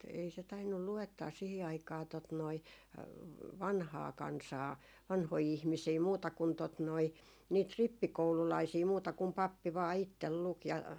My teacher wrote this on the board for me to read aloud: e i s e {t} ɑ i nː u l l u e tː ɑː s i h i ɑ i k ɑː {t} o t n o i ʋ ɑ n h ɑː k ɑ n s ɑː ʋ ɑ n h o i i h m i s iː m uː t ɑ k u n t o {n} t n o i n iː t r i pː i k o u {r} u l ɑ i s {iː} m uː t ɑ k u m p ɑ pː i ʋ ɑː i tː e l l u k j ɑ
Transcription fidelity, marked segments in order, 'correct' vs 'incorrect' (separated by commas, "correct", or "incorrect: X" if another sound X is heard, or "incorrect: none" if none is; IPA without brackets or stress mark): correct, correct, incorrect: none, incorrect: l, correct